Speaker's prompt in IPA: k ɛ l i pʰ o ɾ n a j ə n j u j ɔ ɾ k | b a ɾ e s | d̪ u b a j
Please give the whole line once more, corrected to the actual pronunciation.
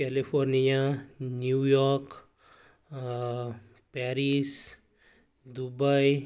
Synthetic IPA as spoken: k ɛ l i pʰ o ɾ n i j a n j u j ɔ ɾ k | p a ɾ i s | d̪ u b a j